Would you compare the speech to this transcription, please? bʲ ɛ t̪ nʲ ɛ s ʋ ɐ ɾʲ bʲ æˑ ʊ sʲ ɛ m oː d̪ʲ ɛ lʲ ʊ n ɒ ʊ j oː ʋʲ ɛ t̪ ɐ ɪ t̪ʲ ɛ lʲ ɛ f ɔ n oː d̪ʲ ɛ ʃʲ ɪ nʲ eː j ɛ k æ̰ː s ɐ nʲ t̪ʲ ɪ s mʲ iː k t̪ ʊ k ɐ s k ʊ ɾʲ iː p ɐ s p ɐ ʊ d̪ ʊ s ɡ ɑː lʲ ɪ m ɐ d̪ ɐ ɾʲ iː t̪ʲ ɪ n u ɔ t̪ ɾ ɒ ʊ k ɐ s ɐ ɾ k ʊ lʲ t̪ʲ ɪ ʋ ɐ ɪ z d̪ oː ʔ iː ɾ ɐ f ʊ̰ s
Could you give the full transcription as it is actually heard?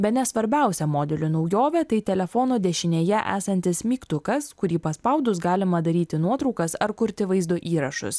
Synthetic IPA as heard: bʲ ɛ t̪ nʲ ɛ s ʋ ɐ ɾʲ bʲ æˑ ʊ sʲ ɛ m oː d̪ʲ ɛ lʲ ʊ n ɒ ʊ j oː ʋʲ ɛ t̪ ɐ ɪ t̪ʲ ɛ lʲ ɛ f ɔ n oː d̪ʲ ɛ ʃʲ ɪ nʲ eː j ɛ ʔ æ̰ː s ɐ nʲ t̪ʲ ɪ s mʲ iː k t̪ ʊ k ɐ s k ʊ ɾʲ iː p ɐ s p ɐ ʊ d̪ ʊ s ɡ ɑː lʲ ɪ m ɐ d̪ ɐ ɾʲ iː t̪ʲ ɪ n u ɔ t̪ ɾ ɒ ʊ k ɐ s ɐ ɾ k ʊ ɾʲ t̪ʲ ɪ ʋ ɐ ɪ z d̪ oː ʔ iː ɾ ɐ ʃ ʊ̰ s

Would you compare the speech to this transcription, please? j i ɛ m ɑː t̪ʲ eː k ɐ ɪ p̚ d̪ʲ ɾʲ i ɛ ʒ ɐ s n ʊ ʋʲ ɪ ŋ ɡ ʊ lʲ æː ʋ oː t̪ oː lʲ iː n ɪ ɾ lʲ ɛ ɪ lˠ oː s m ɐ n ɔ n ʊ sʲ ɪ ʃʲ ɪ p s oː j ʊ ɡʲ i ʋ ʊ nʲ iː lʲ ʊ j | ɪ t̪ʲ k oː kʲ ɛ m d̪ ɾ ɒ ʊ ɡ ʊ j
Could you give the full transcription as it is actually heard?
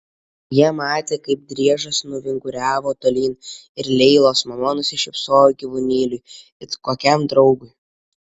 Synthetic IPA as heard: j i ɛ m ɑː t̪ʲ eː k ɐ ɪ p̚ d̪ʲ ɾʲ i ɛ ʒ ɐ s n ʊ ʋʲ ɪ ŋ ɡ ʊ ɾʲ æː ʋ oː t̪ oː lʲ iː n ɪ ɾ lʲ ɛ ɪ lˠ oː s m ɐ m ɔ n ʊ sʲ ɪ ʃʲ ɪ p s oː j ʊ ɡʲ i ʋ ʊ nʲ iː lʲ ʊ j | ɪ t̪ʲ k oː kʲ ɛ m d̪ ɾ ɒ ʊ ɡ ʊ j

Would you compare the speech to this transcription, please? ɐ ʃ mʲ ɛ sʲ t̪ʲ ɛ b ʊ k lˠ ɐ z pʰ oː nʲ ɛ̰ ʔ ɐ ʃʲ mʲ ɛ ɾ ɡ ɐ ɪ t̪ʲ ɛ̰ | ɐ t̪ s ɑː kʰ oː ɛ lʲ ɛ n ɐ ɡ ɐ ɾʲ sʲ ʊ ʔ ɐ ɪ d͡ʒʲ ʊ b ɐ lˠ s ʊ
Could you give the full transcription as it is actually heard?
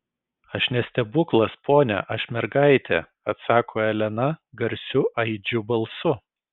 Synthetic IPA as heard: ɐ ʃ nʲ ɛ sʲ t̪ʲ ɛ b ʊ k lˠ ɐ s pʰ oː nʲ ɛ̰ ʔ ɐ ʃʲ mʲ ɛ ɾ ɡ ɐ ɪ t̪ʲ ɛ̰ | ɐ t̪ s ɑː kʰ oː ɛ lʲ ɛ n ɐ ɡ ɐ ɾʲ sʲ ʊ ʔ ɐ ɪ d͡ʒʲ ʊ b ɐ lˠ s ʊ

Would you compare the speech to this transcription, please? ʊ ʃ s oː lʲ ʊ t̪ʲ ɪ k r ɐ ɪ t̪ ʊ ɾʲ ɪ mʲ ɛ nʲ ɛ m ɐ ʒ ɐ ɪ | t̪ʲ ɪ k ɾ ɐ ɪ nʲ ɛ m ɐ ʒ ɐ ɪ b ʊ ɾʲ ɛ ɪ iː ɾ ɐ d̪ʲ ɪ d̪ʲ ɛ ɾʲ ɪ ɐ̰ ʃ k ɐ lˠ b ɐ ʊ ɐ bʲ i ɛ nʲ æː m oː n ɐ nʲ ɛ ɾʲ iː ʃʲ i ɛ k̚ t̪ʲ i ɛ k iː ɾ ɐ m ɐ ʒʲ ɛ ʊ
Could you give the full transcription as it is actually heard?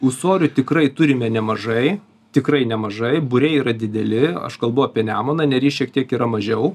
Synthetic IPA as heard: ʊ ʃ s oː ɾʲ ʊ t̪ʲ ɪ k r ɐ ɪ t̪ ʊ ɾʲ ɪ mʲ ɛ nʲ ɛ m ɐ ʒ ɐ ɪ | t̪ʲ ɪ k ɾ ɐ ɪ nʲ ɛ m ɐ ʒ ɐ ɪ b ʊ ɾʲ ɛ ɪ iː ɾ ɐ d̪ʲ ɪ d̪ʲ ɛ lʲ ɪ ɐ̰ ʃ k ɐ lˠ b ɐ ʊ ɐ pʲ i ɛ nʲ æː m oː n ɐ nʲ ɛ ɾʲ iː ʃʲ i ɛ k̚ t̪ʲ i ɛ k iː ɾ ɐ m ɐ ʒʲ ɛ ʊ

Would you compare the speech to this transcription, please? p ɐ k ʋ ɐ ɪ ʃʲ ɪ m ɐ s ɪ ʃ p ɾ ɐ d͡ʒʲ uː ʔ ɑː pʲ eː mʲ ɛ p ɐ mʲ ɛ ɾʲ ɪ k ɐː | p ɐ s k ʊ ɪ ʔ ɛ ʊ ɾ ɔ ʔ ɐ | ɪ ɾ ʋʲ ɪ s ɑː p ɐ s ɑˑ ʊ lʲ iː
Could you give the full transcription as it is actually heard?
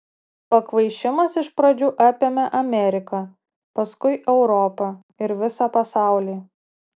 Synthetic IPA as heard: p ɐ k ʋ ɐ ɪ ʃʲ ɪ m ɐ s ɪ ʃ p ɾ ɐ d͡ʒʲ uː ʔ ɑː pʲ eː mʲ ɛ ʔ ɐ mʲ ɛ ɾʲ ɪ k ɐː | p ɐ s k ʊ ɪ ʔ ɛ ʊ ɾ ɔ p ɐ | ɪ ɾ ʋʲ ɪ s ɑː p ɐ s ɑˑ ʊ lʲ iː

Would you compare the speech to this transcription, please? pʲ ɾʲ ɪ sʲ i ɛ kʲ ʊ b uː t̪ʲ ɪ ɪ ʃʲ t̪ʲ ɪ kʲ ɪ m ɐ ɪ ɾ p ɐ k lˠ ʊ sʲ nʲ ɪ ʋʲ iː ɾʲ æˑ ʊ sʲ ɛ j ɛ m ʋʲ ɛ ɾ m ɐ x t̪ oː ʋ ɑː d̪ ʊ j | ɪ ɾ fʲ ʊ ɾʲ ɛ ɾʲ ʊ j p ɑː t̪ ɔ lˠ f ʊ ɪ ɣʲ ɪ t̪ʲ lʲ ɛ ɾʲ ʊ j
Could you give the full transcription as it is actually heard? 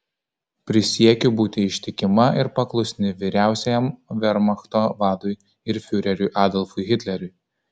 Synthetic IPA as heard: pʲ ɾʲ ɪ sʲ i ɛ kʲ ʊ b uː t̪ʲ ɪ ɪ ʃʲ t̪ʲ ɪ kʲ ɪ m ɐ ɪ ɾ p ɐ k lˠ ʊ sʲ nʲ ɪ ʋʲ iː ɾʲ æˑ ʊ sʲ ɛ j ɛ m ʋʲ ɛ ɾ m ɐ x t̪ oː ʋ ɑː d̪ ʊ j | ɪ ɾ fʲ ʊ ɾʲ ɛ ɾʲ ʊ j ʔ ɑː d̪ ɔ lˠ f ʊ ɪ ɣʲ ɪ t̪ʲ lʲ ɛ ɾʲ ʊ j

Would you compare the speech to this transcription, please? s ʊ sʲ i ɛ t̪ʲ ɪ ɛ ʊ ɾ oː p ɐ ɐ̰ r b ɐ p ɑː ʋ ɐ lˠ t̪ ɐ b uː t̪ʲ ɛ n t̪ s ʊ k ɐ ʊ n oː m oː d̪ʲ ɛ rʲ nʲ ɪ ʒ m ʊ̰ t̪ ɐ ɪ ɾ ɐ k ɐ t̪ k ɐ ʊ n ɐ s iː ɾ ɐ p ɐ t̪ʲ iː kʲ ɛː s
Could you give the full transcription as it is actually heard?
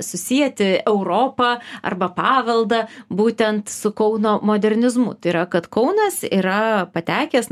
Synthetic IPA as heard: s ʊ sʲ i ɛ t̪ʲ ɪ ɛ ʊ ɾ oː p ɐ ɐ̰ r b ɐ p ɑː ʋ ɐ lˠ d̪ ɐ b uː t̪ʲ ɛ n t̪ s ʊ k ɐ ʊ n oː m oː d̪ʲ ɛ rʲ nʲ ɪ z m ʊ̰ t̪ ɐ ɪ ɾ ɐ k ɐ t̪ k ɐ ʊ n ɐ s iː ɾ ɐ p ɐ t̪ʲ æː kʲ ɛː s

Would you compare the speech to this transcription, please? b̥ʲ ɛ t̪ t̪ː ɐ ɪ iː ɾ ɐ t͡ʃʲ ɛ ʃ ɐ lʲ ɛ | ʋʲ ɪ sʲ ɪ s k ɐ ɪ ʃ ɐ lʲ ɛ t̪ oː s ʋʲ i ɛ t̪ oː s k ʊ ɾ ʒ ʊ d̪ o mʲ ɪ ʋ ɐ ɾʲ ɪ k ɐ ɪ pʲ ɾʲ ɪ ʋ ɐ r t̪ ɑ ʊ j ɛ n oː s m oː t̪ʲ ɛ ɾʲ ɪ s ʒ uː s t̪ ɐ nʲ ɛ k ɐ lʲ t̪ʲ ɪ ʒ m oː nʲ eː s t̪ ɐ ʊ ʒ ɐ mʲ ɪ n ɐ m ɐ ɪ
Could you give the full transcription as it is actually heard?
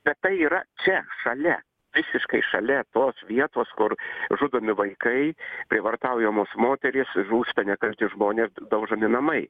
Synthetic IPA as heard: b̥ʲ ɛ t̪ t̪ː ɐ ɪ iː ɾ ɐ t͡ʃʲ ɛ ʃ ɐ lʲ ɛ | ʋʲ ɪ sʲ ɪ ʃ k ɐ ɪ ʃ ɐ lʲ ɛ t̪ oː s ʋʲ i ɛ t̪ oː s k ʊ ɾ ʒ ʊ d̪ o mʲ ɪ ʋ ɐ ɪ k ɐ ɪ pʲ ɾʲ ɪ ʋ ɐ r t̪ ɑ ʊ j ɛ m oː s m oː t̪ʲ ɛ ɾʲ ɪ s ʒ uː s t̪ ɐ nʲ ɛ k ɐ lʲ t̪ʲ ɪ ʒ m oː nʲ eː s d̪ ɐ ʊ ʒ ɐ mʲ ɪ n ɐ m ɐ ɪ

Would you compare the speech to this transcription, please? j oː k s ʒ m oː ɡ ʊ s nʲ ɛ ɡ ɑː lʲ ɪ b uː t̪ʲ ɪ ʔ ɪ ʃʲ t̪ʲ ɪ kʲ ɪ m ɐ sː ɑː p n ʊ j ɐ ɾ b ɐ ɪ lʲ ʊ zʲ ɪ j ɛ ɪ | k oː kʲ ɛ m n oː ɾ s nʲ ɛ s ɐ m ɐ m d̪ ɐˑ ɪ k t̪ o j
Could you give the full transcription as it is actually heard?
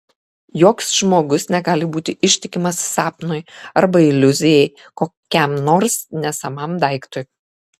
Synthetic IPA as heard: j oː k s ʒ m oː ɡ ʊ s nʲ ɛ ɡ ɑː lʲ ɪ b uː t̪ʲ ɪ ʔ ɪ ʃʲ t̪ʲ ɪ kʲ ɪ m ɐ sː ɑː p n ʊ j ɐ ɾ b ɐ ɪ lʲ ʊ zʲ ɪ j ɛ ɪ | k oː kʲ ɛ m n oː ɾ s nʲ ɛ s ɐ m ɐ m d̪ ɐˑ ɪ k t̪ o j

